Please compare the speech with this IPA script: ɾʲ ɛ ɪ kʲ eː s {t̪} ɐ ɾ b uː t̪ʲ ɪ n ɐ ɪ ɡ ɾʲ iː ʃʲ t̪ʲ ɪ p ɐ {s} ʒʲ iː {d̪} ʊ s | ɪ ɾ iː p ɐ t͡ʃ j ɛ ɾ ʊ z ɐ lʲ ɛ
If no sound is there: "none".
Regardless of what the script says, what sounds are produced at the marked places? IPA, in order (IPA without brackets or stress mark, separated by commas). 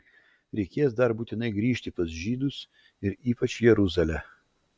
d̪, s, d̪